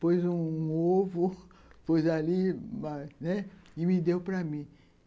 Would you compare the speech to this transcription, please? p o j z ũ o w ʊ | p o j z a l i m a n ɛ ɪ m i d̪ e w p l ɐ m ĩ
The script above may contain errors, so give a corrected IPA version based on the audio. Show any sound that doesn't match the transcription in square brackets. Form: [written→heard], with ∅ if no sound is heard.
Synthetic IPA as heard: p o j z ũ o [w→v] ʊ | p o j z a l i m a n ɛ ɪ m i d̪ e w p [l→ɾ] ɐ m ĩ